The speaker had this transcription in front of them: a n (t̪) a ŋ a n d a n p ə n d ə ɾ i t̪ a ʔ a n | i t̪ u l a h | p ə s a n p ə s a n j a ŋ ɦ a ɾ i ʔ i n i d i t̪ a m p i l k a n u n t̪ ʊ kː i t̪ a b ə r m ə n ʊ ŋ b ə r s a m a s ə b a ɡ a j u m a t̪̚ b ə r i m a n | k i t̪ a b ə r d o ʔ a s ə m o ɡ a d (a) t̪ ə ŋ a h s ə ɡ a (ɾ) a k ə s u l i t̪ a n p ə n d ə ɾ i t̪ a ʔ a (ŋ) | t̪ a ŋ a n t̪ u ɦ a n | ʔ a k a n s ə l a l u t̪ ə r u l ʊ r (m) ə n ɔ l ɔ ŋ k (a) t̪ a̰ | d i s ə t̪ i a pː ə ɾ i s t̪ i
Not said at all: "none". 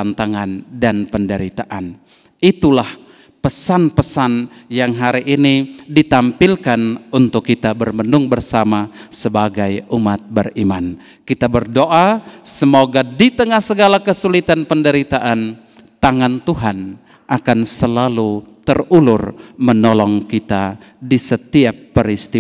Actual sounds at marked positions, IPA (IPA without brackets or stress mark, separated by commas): t̪, i, l, n, m, i